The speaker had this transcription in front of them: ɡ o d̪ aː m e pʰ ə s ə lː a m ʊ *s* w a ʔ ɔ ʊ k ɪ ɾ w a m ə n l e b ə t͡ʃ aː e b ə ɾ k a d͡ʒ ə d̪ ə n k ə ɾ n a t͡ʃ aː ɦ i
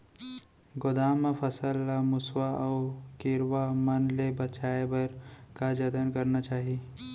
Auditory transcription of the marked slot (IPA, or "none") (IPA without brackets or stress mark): s